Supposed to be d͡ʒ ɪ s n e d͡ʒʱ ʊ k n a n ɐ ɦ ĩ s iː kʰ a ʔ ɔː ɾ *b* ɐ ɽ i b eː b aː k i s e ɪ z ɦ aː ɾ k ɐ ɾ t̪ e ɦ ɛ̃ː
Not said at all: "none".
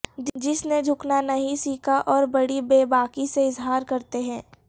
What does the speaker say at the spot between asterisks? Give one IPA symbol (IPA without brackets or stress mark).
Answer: b